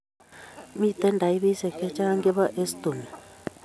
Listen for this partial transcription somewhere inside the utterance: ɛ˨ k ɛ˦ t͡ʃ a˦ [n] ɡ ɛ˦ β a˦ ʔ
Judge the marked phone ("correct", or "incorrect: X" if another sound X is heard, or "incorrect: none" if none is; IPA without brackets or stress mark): incorrect: ŋ